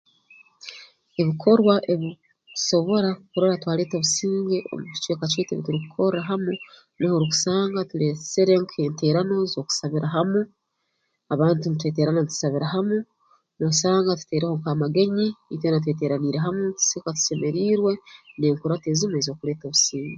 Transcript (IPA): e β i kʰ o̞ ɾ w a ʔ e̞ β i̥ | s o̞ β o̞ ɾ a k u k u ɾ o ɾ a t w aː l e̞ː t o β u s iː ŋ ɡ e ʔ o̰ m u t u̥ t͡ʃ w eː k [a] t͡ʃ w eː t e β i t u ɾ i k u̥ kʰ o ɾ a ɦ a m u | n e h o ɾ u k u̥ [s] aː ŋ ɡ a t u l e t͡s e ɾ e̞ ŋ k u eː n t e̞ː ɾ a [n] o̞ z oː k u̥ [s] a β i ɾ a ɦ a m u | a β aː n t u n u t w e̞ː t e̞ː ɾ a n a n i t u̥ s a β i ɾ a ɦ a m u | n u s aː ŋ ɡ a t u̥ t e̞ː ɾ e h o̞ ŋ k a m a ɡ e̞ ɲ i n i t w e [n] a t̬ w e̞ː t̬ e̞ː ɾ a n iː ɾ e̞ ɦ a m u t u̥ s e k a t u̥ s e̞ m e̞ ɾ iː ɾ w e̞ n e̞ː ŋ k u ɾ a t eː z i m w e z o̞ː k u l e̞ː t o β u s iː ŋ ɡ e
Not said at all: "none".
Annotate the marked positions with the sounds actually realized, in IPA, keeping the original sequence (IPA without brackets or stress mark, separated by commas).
a, s, n, s, n